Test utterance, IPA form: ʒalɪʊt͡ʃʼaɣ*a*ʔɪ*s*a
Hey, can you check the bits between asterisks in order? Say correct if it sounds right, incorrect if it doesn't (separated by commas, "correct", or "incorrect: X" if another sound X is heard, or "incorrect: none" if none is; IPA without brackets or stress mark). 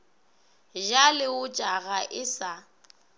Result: correct, correct